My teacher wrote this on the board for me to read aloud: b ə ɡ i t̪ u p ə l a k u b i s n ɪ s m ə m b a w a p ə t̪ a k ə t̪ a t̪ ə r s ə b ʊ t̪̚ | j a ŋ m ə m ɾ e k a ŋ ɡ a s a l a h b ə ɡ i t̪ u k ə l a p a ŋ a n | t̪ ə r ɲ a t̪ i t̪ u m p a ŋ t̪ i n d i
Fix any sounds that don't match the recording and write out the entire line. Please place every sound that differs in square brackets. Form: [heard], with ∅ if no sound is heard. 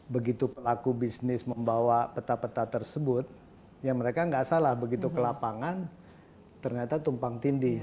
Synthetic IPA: b ə ɡ i t̪ u p ə l a k u b i s n ɪ s m ə m b a w a p ə t̪ a [p] ə t̪ a t̪ ə r s ə b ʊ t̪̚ | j a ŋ m ə [∅] ɾ e k a ŋ ɡ a s a l a h b ə ɡ i t̪ u k ə l a p a ŋ a n | t̪ ə r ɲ a t̪ [a] t̪ u m p a ŋ t̪ i n d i